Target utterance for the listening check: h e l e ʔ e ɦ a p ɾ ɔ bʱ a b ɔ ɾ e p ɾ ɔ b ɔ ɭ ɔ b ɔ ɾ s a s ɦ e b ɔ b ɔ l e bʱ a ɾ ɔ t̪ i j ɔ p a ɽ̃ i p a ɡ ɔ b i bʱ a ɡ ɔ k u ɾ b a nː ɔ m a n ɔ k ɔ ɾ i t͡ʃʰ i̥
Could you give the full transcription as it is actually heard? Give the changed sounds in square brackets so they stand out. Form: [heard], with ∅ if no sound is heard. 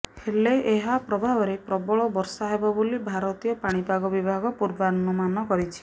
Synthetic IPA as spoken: h e l e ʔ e ɦ a p ɾ ɔ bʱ a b ɔ ɾ e p ɾ ɔ b ɔ ɭ ɔ b ɔ ɾ s a [∅] ɦ e b ɔ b [o] l [i] bʱ a ɾ ɔ t̪ i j ɔ p a ɽ̃ i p a ɡ ɔ b i bʱ a ɡ ɔ [p] u ɾ b a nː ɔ m a n ɔ k ɔ ɾ i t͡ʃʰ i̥